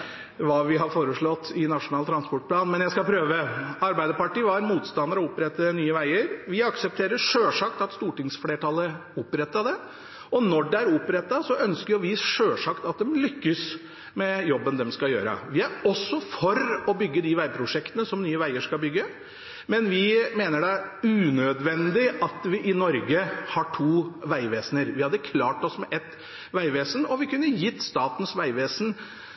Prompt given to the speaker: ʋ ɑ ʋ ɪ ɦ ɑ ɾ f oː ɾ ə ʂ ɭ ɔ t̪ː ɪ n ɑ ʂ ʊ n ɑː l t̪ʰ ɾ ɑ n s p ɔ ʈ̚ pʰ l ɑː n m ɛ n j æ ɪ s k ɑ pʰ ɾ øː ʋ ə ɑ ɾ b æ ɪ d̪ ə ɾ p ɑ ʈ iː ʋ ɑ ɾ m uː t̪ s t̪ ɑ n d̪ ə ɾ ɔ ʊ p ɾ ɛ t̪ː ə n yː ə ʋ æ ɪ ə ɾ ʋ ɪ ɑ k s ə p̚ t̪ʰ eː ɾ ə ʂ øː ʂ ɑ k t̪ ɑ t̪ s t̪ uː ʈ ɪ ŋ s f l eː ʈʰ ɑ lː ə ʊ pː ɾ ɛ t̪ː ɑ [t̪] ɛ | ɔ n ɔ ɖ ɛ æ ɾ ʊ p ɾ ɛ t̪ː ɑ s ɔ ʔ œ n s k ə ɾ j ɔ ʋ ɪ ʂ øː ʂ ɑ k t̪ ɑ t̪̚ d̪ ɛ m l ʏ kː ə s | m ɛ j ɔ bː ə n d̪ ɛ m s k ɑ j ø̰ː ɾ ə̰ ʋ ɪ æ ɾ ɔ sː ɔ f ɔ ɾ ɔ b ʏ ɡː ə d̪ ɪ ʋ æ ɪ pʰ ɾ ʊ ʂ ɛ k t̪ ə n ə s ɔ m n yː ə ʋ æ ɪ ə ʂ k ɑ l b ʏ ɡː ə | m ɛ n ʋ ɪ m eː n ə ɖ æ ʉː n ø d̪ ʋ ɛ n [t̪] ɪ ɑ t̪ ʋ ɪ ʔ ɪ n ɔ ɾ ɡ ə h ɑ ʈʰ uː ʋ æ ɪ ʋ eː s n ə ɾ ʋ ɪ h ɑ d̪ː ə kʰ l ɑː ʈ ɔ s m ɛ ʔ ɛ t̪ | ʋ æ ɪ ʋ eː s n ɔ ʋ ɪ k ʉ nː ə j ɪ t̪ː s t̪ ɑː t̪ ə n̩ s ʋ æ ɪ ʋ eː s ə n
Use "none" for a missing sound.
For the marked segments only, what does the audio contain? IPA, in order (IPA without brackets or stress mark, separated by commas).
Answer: d̪, d̪